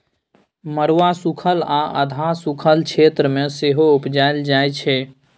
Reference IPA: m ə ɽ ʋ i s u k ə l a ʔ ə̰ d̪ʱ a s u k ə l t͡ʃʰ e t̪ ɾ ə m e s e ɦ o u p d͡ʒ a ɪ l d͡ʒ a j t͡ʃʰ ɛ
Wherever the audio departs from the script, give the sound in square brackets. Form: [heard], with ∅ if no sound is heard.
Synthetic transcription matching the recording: m ə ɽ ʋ [a] s u [kʰ] ə l a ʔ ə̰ d̪ʱ a s u [kʰ] ə l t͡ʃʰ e t̪ ɾ ə m e s e ɦ o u p d͡ʒ a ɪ l d͡ʒ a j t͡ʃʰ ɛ